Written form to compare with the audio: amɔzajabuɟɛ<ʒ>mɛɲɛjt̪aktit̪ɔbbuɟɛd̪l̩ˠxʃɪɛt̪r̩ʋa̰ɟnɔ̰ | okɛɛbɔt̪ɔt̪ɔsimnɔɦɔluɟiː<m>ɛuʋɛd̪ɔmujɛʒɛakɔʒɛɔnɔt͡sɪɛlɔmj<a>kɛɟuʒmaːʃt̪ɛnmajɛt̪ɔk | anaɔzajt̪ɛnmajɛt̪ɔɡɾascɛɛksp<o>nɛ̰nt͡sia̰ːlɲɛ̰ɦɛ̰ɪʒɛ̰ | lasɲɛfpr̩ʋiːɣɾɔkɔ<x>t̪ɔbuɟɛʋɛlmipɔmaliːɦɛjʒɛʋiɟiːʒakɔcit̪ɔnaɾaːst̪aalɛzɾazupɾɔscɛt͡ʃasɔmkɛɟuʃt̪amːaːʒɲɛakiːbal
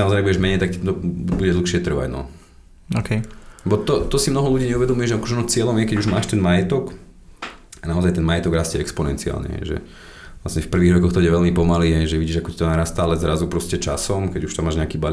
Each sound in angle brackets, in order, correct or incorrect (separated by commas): correct, incorrect, incorrect, incorrect, correct